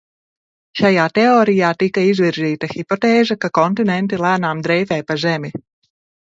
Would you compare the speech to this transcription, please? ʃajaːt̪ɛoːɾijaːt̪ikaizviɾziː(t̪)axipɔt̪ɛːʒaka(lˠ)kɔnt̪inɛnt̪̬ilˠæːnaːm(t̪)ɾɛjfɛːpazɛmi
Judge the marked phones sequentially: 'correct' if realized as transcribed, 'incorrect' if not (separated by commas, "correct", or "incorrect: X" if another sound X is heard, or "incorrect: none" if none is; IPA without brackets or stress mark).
correct, incorrect: none, incorrect: d̪